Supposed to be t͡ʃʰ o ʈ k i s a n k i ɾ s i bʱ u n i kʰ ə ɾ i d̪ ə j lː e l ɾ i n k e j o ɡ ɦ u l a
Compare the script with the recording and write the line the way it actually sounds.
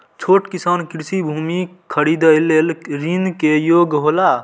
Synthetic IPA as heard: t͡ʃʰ o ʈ k i s a n k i ɾ s i bʱ u m i kʰ ə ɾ i d̪ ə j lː e l ɾ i n k e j o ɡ ɦ o l a